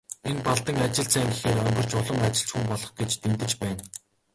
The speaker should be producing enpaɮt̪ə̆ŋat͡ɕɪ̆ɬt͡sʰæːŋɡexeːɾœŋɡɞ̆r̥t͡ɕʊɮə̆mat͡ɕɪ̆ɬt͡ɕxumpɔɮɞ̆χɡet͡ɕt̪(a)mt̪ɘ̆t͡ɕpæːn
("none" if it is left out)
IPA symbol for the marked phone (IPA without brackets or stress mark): e